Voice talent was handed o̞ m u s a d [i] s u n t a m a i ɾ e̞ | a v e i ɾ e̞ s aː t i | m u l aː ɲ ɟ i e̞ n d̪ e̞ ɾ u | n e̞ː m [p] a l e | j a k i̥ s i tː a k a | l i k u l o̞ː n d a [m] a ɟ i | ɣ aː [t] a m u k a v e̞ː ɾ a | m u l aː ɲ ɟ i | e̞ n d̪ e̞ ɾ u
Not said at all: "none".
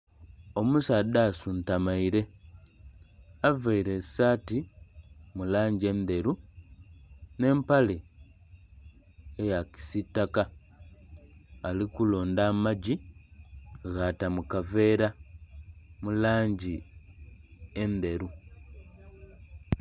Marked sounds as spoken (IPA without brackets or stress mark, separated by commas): a, p, m, t